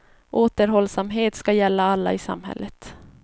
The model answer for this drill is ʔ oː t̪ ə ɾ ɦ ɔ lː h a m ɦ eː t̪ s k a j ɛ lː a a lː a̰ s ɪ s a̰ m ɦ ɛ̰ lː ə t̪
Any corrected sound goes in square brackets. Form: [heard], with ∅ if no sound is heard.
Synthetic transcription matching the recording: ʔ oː t̪ ə ɾ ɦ ɔ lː [s] a m ɦ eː t̪ s k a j ɛ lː a a lː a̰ [∅] ɪ s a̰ m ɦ ɛ̰ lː ə t̪